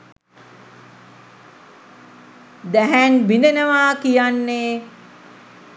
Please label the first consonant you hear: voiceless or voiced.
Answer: voiced